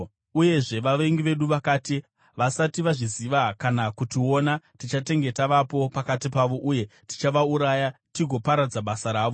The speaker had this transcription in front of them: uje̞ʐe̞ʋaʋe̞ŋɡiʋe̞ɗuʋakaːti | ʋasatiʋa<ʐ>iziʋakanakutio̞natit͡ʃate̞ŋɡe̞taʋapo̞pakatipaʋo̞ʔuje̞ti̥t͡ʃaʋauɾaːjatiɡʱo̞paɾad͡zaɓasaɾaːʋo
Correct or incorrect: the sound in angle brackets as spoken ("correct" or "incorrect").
correct